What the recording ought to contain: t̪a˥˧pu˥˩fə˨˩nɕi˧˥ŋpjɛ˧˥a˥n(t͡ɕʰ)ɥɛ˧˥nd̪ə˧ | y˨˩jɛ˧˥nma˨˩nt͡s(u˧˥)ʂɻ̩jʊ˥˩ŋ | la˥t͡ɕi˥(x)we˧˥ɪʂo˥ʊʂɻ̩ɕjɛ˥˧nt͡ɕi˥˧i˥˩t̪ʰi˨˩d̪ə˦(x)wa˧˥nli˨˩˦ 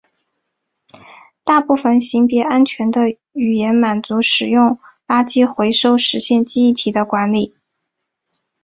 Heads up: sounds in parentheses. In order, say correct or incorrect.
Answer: correct, correct, correct, incorrect

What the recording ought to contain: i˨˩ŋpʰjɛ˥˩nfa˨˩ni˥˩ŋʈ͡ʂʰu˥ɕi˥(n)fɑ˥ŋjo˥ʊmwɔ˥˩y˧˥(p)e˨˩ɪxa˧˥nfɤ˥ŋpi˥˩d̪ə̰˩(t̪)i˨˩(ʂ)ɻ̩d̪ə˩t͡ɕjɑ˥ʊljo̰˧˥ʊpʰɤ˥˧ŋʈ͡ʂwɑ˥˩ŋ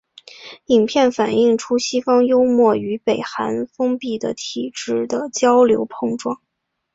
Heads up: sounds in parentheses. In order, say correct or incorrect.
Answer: incorrect, correct, incorrect, incorrect

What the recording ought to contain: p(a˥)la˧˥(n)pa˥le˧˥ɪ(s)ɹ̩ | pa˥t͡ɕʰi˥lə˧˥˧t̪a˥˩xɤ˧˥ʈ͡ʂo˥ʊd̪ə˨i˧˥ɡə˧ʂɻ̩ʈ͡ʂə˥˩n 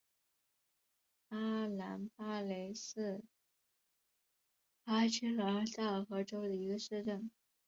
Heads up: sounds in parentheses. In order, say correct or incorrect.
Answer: correct, correct, correct

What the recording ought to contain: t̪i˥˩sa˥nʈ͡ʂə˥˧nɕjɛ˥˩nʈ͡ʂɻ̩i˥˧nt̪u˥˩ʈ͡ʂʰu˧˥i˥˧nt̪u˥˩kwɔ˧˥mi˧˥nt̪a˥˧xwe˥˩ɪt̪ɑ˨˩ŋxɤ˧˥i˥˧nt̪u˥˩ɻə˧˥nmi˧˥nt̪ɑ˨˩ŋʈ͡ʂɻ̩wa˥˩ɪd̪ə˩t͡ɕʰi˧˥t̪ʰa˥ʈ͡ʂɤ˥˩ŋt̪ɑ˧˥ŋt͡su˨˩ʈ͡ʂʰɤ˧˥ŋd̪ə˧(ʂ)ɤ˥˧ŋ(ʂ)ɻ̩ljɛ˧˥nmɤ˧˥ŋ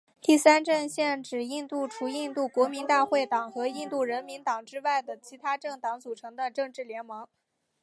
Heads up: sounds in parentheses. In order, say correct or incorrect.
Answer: incorrect, incorrect

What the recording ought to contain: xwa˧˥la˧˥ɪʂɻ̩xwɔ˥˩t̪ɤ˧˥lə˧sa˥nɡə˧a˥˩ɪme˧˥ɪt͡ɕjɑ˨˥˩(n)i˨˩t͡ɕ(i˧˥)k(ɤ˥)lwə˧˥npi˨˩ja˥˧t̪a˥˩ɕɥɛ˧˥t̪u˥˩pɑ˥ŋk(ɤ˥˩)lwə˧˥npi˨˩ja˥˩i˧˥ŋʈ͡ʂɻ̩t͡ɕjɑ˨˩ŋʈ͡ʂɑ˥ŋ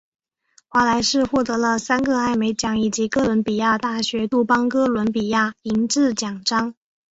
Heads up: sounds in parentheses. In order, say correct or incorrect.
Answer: incorrect, correct, correct, incorrect

